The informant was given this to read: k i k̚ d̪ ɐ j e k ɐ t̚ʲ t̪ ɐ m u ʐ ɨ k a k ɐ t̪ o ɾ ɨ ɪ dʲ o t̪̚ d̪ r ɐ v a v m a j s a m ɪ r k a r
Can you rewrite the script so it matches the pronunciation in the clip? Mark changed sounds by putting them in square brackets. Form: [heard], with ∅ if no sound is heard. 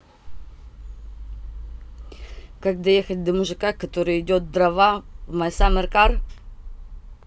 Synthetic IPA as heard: k [a] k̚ d̪ ɐ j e [x] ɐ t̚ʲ [d̪] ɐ m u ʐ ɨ k a k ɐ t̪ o ɾ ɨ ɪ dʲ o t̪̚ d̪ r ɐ v a v m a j s a m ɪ r k a r

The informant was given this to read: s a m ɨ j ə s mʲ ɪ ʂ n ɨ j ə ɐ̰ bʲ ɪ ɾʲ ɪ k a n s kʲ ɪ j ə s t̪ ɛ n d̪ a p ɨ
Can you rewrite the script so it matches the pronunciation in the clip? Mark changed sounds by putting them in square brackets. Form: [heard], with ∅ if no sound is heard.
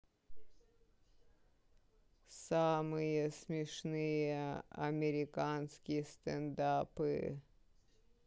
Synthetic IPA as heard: s a m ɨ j ə s mʲ ɪ ʂ n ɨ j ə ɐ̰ [mʲ] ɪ ɾʲ ɪ k a n s kʲ ɪ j ə s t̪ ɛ n d̪ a p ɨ

